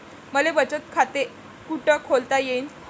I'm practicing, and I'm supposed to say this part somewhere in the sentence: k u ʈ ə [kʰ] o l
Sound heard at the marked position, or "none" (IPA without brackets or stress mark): kʰ